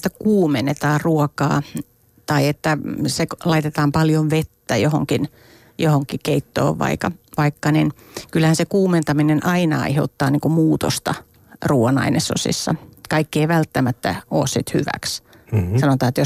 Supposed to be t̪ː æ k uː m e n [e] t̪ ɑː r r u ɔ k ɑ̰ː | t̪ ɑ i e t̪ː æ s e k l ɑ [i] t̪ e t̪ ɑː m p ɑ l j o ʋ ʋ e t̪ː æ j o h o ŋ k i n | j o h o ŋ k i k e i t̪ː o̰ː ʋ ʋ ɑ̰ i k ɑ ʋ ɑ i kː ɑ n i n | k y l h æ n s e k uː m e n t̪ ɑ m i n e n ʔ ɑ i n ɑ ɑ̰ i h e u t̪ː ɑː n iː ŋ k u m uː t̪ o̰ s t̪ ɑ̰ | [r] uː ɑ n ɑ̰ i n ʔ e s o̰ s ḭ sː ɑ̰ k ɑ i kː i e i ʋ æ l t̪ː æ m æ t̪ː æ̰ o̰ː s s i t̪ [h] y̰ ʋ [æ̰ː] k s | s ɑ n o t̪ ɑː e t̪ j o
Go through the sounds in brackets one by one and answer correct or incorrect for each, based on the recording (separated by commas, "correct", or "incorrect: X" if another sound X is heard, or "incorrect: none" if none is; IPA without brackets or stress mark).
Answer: correct, correct, correct, correct, incorrect: æ̰